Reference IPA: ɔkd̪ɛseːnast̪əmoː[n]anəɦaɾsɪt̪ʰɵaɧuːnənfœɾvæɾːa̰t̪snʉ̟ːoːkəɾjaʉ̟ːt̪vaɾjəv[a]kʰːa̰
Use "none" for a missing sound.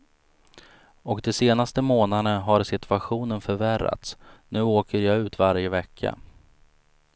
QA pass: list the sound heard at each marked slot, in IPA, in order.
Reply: n, ɛ

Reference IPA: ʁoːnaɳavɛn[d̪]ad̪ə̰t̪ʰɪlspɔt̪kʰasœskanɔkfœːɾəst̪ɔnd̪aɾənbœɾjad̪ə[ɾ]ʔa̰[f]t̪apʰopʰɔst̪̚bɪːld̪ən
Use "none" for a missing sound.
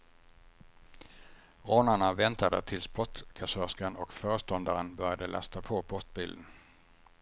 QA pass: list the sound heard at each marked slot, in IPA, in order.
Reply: t̪, l, s

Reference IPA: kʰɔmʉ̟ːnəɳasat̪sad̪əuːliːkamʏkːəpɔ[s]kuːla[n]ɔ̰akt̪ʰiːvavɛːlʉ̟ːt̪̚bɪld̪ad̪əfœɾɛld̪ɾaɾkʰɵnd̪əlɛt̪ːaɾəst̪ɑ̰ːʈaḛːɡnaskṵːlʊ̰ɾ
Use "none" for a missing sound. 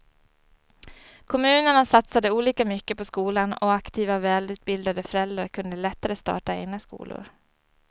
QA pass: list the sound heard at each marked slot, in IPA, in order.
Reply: s, n

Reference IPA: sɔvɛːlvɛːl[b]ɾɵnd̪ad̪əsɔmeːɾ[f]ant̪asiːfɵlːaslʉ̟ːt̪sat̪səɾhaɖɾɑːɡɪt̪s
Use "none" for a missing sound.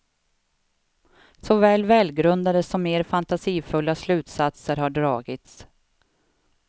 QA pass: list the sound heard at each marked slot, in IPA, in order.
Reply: ɡ, f

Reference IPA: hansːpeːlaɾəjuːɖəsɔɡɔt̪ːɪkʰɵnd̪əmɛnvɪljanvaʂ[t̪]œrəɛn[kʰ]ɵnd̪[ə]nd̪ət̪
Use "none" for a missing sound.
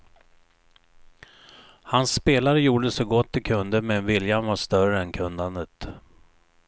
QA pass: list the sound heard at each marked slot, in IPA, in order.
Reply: t̪, kʰ, a

